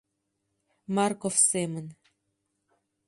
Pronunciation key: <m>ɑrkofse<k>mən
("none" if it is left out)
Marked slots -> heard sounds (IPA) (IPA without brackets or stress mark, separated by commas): m, none